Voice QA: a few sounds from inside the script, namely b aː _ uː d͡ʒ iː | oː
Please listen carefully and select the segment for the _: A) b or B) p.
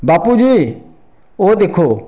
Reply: B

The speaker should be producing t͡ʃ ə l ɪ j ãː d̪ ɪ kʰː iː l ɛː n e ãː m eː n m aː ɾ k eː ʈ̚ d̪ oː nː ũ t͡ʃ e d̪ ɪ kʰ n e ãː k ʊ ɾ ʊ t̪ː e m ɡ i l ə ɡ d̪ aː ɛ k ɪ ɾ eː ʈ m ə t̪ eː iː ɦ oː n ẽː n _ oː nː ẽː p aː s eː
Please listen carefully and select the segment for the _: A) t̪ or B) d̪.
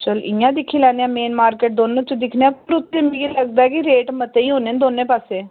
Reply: B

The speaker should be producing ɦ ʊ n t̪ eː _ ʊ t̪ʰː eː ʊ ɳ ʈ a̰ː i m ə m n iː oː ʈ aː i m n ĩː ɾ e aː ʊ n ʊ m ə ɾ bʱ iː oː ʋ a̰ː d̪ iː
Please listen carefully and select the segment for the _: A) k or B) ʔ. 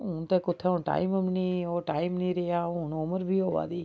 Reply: A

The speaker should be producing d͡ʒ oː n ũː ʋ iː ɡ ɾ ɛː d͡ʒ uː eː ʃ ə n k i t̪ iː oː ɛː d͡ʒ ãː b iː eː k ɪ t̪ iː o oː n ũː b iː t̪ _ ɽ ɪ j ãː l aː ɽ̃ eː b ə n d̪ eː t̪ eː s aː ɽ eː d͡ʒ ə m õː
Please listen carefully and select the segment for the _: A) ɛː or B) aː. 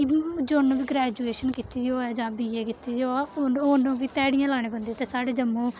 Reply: A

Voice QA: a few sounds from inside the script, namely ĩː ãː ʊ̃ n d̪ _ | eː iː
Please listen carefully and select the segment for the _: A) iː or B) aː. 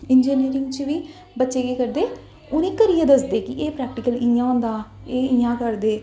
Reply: B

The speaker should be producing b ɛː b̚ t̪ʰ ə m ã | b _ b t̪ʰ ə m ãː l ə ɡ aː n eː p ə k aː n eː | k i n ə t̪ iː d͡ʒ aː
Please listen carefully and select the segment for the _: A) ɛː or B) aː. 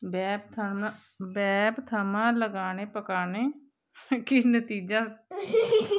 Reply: A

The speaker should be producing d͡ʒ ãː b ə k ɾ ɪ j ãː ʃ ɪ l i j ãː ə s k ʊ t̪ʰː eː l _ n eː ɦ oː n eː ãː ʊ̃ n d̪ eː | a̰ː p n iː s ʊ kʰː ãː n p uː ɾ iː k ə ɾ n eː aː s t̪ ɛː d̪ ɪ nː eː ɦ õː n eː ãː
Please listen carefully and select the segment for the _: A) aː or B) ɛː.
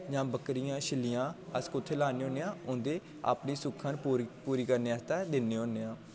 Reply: A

